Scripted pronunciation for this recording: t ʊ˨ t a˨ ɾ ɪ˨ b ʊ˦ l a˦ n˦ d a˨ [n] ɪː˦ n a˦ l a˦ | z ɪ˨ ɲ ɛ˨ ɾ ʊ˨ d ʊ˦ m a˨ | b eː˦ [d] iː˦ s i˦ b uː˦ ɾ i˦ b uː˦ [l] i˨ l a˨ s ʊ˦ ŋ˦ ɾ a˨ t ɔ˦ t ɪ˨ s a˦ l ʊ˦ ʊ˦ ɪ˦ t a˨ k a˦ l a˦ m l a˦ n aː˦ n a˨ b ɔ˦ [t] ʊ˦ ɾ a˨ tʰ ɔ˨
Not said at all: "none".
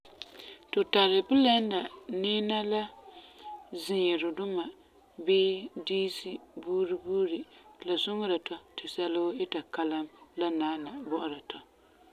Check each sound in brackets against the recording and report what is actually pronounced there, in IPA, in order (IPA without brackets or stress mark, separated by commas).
n, d, ɾ, ʔ